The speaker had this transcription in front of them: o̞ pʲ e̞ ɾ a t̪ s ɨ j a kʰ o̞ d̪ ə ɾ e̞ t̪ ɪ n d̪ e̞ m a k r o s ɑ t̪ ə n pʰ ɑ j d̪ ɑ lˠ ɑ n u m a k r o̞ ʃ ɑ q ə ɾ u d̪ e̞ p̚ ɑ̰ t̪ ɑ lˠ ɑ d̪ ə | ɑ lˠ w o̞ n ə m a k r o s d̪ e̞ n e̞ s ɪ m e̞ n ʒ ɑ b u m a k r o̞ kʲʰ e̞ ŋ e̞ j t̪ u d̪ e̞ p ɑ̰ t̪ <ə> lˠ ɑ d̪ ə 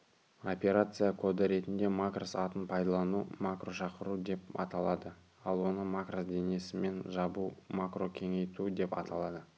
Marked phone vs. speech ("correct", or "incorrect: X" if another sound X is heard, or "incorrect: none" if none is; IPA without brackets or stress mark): incorrect: ɑ